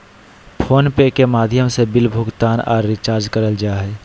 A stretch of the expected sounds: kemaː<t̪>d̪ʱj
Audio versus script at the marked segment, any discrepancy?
yes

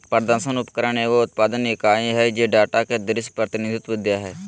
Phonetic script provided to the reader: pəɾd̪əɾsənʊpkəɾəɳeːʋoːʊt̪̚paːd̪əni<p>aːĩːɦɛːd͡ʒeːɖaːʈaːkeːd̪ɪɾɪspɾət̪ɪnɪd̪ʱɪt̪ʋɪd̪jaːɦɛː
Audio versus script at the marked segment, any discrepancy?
yes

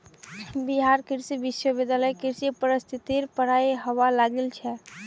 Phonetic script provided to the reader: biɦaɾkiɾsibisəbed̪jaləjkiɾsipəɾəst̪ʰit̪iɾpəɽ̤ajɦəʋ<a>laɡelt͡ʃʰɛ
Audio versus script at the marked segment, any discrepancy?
no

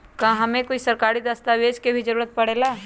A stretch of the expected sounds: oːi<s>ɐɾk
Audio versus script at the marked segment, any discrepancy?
no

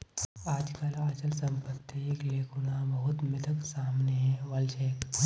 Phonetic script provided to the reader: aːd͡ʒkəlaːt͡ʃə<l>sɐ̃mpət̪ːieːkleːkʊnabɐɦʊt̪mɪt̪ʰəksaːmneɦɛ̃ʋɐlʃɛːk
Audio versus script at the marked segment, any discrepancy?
no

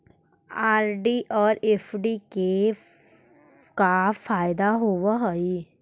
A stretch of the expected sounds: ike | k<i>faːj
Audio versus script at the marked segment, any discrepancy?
yes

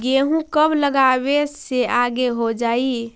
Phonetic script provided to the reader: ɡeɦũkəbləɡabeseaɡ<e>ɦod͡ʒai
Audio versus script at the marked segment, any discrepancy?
no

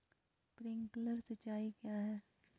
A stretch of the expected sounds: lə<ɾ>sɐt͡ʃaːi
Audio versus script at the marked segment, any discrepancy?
no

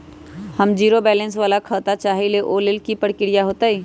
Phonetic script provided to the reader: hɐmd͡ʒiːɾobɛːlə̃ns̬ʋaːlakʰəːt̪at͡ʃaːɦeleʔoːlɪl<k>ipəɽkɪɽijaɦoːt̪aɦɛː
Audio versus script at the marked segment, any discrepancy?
no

